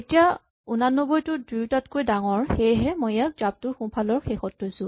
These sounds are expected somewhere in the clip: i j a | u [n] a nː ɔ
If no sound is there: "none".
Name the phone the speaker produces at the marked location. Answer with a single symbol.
n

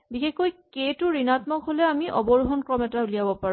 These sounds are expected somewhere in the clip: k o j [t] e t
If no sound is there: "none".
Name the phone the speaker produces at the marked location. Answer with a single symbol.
k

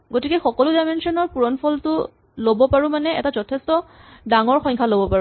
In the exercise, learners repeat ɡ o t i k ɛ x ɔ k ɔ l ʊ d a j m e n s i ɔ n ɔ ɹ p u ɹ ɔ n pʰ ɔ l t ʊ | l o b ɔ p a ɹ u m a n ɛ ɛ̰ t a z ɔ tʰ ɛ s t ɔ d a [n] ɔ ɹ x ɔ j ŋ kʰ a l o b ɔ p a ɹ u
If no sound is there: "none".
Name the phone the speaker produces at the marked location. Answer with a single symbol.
ŋ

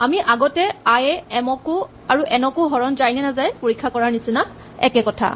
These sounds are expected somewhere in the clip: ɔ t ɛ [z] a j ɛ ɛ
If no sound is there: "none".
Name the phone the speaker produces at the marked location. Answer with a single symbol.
none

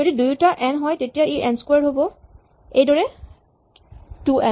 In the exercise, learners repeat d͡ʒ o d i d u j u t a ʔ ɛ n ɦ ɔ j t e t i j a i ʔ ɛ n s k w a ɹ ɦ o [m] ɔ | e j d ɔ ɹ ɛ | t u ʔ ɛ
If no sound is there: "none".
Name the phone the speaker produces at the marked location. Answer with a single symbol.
b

